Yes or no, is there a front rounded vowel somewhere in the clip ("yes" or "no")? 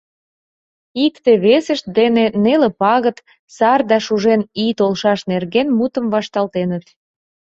no